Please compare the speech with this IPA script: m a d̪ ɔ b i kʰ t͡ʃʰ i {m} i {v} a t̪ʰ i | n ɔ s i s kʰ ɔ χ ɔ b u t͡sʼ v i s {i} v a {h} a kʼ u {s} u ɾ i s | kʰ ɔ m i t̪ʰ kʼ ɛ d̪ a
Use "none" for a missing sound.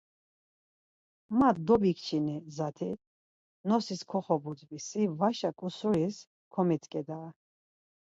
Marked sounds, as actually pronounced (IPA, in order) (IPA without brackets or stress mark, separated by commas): n, z, i, ʃ, s